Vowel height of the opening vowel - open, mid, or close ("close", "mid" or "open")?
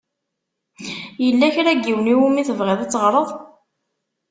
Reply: mid